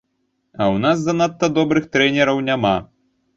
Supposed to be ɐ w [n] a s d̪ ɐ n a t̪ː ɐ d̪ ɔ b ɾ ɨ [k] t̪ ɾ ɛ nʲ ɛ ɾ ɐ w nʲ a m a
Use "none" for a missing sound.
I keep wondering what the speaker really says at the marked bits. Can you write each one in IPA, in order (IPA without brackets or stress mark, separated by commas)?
n, x